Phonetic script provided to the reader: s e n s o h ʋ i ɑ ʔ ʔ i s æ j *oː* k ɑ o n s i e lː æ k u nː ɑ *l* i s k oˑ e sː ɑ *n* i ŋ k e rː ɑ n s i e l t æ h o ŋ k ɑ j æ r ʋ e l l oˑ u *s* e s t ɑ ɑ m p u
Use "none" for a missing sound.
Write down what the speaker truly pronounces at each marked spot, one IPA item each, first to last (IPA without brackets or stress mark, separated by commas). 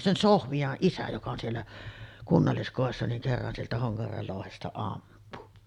o, lː, n, h